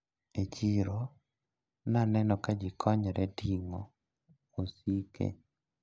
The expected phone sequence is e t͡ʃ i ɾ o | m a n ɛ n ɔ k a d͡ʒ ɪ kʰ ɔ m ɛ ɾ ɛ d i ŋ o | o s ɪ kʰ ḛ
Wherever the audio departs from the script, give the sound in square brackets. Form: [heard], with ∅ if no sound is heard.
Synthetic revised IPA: e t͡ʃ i ɾ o | [n] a n ɛ n ɔ k a d͡ʒ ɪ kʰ ɔ [ɲ] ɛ ɾ ɛ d i ŋ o | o s [i] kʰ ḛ